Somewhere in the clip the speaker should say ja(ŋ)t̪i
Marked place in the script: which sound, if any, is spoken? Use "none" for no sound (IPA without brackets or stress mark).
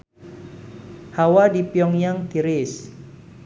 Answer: ŋ